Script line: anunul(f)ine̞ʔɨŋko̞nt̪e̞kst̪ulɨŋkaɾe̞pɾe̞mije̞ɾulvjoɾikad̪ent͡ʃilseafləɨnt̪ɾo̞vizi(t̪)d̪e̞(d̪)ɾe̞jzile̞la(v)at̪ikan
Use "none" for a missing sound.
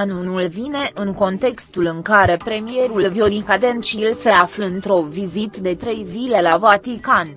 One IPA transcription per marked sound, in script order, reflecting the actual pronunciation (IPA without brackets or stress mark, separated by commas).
v, t̪, t̪, v